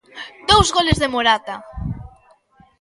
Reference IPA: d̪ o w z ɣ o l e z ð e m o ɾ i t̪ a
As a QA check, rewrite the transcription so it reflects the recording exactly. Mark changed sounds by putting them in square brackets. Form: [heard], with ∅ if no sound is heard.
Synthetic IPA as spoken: d̪ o w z ɣ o l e z ð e m o ɾ [a] t̪ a

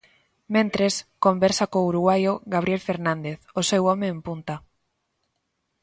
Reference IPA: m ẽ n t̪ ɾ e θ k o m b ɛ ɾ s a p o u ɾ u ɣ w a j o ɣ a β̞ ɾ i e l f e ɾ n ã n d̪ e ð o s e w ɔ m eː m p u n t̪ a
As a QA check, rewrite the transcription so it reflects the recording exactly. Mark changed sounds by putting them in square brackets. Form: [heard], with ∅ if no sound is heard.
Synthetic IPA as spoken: m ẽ n t̪ ɾ e [s] k o m b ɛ ɾ s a [k] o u ɾ u ɣ w a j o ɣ a β̞ ɾ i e l f e ɾ n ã n d̪ e [θ] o s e w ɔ m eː m p u n t̪ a

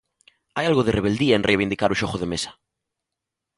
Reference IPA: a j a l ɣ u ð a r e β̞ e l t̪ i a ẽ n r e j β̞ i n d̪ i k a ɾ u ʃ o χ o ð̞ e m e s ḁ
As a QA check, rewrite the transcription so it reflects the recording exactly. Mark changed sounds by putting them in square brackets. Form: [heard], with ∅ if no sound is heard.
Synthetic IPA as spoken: a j a l ɣ [o] ð [e] r e β̞ e l [d̪] i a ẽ n r e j β̞ i n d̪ i k a ɾ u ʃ o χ o ð̞ e m e s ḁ

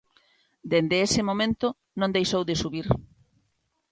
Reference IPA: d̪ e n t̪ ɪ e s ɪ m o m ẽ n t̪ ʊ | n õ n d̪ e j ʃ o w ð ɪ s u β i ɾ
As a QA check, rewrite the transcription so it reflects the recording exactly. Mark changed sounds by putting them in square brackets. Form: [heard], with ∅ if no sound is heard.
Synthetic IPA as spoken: d̪ e n [d̪] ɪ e s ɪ m o m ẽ n t̪ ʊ | n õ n d̪ e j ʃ o w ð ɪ s u β i ɾ

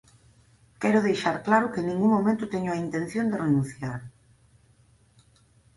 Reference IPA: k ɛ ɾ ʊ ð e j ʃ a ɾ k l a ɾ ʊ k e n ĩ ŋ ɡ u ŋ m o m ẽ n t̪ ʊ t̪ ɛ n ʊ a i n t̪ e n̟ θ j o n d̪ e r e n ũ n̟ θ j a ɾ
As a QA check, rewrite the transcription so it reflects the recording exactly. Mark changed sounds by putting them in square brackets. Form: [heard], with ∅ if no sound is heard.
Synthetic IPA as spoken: k ɛ ɾ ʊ ð e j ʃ a ɾ k l a ɾ ʊ k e n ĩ ŋ ɡ u ŋ m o m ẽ n t̪ ʊ t̪ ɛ [ɲ] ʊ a i n t̪ e n̟ θ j o n d̪ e r e n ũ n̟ θ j a ɾ

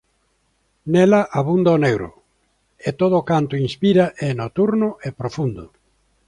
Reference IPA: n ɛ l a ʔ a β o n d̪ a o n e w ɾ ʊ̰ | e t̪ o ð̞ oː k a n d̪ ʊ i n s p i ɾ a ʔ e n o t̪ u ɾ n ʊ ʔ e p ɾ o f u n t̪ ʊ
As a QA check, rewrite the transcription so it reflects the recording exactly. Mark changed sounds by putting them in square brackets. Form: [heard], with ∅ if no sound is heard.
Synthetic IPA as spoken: n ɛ l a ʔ a β [u] n d̪ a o n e w ɾ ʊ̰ | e t̪ o ð̞ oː k a n [t̪] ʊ i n s p i ɾ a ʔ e n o t̪ u ɾ n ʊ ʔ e p ɾ o f u n [d̪] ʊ

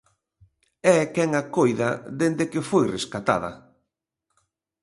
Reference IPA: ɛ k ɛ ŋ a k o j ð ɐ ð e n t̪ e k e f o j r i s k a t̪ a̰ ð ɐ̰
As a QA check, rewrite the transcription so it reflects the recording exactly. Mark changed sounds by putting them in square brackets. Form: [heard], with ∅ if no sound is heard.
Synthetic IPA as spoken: ɛ k ɛ ŋ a k o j ð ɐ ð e n [d̪] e k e f o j r [e] s k a t̪ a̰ ð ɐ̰

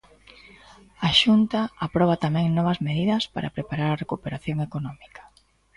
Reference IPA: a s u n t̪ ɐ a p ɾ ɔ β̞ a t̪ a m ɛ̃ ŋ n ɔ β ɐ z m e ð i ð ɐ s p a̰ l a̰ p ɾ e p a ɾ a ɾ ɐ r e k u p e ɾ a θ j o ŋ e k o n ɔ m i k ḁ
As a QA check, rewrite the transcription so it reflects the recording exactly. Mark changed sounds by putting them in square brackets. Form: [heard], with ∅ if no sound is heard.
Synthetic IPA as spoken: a [ʃ] u n t̪ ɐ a p ɾ ɔ β̞ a t̪ a m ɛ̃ ŋ n ɔ β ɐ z m e ð i ð ɐ s p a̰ [ɾ] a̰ p ɾ e p a ɾ a ɾ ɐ r e k u p e ɾ a θ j o ŋ e k o n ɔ m i k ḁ

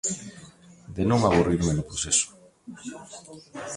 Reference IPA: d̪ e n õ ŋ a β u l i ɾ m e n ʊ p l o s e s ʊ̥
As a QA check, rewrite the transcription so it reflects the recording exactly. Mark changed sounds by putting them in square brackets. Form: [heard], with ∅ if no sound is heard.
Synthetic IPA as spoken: d̪ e n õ ŋ a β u [r] i ɾ m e n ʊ p [ɾ] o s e s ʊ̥

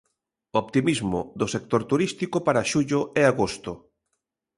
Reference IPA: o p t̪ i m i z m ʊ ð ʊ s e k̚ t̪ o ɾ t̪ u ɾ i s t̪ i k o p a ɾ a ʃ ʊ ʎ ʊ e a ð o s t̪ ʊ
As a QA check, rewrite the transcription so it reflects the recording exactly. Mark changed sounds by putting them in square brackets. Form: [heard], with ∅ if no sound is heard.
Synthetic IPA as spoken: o p t̪ i m i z m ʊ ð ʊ s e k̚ t̪ o ɾ t̪ u ɾ i s t̪ i k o p a ɾ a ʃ [u] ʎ ʊ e a [ɣ] o s t̪ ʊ

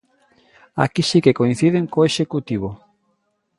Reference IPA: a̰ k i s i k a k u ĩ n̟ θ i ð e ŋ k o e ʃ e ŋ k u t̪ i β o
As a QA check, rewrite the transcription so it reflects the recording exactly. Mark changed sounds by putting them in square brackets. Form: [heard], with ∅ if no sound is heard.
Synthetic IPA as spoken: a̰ k i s i k [e] k [o] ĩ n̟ θ i ð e ŋ k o e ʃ e [∅] k u t̪ i β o

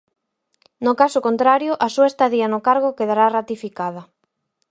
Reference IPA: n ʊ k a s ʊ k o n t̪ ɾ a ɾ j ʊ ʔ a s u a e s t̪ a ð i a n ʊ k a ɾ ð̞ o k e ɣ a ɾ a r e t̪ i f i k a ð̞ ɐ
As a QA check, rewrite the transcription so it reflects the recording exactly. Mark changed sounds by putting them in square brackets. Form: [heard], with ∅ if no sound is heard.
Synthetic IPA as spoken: n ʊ k a s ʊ k o n t̪ ɾ a ɾ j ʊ ʔ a s u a e s t̪ a ð i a n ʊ k a ɾ [ɣ̞] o k e [ð] a ɾ a r [a] t̪ i f i k a ð̞ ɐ

